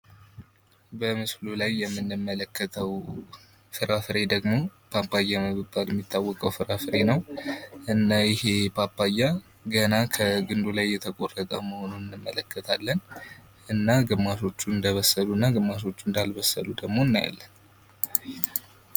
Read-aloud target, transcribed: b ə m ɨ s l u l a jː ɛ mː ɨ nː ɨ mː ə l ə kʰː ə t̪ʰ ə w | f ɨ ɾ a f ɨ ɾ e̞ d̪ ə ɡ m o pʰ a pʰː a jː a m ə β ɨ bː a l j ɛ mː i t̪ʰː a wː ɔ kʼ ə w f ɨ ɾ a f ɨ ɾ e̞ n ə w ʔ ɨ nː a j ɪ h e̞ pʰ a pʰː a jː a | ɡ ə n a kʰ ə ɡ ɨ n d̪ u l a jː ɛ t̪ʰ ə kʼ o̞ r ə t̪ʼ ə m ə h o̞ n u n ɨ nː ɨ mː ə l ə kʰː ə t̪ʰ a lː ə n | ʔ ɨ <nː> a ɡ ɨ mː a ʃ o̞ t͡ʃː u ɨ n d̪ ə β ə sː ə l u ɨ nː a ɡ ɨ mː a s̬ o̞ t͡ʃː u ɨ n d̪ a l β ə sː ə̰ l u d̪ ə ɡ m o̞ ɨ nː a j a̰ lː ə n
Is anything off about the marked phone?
no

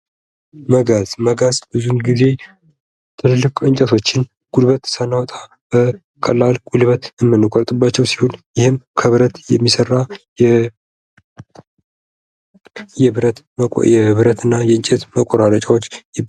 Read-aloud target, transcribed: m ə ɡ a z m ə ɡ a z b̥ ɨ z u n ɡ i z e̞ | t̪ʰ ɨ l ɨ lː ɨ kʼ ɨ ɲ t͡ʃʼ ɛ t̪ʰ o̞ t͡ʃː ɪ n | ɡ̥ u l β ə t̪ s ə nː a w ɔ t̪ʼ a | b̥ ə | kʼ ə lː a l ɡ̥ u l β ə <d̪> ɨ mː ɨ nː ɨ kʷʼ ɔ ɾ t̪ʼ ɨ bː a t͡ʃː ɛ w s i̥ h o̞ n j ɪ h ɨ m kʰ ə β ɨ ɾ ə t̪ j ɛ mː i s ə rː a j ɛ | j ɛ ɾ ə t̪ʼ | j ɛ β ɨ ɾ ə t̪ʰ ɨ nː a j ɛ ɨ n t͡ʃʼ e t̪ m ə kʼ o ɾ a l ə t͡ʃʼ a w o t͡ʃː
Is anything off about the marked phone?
yes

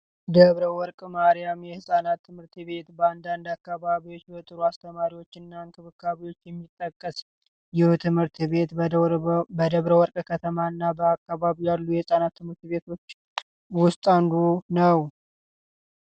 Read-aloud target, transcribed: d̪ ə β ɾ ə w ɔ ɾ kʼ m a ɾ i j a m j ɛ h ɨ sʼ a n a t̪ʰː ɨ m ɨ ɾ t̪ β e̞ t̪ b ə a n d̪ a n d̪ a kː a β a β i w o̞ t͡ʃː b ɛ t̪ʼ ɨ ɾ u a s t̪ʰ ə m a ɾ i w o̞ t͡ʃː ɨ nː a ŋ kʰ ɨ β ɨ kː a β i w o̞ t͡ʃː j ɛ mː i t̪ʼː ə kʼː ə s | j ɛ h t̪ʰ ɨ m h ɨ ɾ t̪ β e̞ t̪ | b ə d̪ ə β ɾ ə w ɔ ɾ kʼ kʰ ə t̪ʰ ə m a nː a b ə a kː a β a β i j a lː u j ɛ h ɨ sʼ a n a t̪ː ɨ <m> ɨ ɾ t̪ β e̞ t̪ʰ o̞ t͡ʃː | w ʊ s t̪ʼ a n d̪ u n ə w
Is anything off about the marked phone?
no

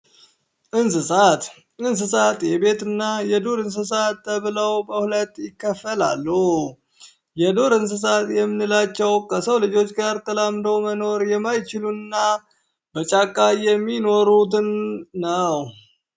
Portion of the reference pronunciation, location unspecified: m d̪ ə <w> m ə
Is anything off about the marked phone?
no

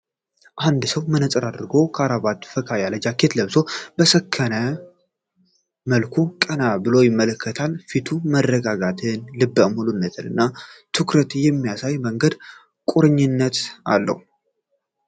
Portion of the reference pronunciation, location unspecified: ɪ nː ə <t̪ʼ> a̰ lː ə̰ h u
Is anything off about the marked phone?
yes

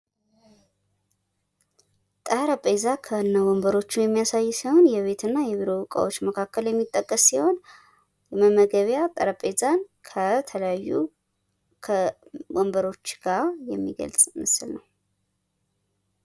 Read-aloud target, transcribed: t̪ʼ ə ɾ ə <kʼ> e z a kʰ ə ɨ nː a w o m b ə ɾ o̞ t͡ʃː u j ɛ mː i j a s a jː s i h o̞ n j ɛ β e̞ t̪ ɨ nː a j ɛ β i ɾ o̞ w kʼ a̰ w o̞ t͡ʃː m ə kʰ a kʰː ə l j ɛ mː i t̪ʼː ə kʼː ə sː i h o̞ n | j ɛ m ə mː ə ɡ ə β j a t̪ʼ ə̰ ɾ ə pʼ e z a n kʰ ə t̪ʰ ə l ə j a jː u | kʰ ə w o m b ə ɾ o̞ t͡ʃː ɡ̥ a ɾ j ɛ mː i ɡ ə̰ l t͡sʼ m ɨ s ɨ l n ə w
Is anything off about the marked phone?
yes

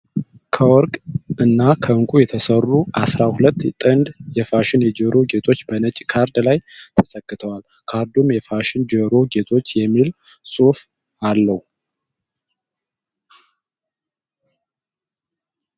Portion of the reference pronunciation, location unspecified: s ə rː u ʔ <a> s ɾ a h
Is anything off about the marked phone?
no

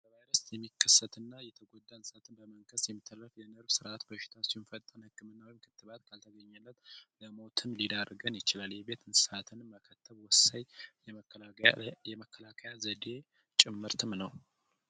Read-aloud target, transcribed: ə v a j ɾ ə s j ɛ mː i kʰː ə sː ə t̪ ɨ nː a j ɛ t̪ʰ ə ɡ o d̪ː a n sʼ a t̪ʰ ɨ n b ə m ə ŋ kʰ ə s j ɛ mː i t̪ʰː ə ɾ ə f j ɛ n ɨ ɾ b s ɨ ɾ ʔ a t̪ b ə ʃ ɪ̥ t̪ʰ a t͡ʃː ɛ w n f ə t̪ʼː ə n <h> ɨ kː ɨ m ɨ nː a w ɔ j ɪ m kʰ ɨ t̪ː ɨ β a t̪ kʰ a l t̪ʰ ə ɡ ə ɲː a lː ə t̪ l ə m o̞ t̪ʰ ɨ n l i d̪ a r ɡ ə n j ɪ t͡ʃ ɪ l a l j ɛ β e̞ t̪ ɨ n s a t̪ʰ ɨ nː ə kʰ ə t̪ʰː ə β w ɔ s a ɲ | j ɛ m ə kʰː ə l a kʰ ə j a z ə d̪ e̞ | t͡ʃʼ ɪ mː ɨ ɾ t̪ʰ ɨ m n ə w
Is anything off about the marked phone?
no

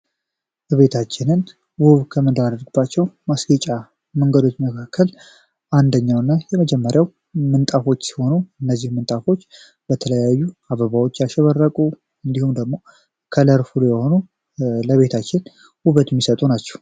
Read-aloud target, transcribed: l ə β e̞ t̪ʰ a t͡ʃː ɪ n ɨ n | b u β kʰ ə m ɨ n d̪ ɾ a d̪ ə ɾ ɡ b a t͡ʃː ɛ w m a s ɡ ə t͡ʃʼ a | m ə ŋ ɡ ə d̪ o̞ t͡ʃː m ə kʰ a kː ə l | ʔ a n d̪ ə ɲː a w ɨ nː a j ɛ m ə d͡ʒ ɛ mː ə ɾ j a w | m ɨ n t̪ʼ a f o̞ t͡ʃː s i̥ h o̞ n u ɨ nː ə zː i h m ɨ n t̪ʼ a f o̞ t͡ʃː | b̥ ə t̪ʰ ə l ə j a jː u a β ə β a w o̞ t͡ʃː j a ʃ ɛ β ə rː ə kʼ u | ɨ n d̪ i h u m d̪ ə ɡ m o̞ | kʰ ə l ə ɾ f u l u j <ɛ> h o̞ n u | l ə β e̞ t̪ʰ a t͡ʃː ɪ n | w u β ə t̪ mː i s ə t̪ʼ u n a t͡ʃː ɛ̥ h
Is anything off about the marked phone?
no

